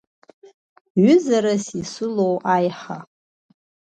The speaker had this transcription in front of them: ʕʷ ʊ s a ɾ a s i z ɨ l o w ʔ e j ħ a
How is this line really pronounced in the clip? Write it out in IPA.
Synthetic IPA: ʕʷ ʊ z a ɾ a s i s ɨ l o w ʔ a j ħ a